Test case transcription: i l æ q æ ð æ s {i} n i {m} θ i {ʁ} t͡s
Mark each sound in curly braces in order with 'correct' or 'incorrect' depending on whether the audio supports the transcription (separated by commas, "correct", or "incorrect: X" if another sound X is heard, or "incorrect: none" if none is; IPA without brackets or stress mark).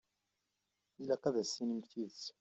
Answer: correct, correct, incorrect: ð